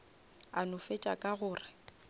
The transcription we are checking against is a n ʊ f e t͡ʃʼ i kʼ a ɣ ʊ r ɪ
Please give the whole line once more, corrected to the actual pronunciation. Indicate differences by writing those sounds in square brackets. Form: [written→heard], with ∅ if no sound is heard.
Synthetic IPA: a n ʊ f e t͡ʃʼ [i→a] kʼ a ɣ [ʊ→ʊː] r ɪ